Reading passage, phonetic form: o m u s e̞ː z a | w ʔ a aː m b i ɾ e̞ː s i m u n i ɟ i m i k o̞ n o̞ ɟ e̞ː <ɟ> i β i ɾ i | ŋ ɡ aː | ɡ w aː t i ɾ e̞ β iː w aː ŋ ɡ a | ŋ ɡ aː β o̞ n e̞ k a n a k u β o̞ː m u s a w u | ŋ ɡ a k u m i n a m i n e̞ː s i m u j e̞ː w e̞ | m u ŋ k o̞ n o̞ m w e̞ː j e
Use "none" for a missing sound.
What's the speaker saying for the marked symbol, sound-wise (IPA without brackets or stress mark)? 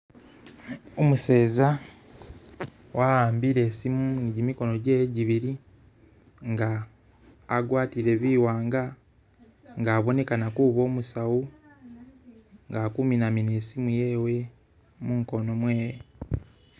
ɟ